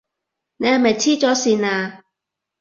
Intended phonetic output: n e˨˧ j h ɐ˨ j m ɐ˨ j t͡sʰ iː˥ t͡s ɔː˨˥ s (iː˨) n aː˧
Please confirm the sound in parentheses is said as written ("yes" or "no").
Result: yes